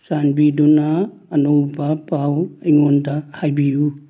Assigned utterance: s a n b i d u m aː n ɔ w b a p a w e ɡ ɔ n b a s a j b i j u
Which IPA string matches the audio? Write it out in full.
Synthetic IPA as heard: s a n b i d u n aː n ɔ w b a p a w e ŋ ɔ n d a h a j b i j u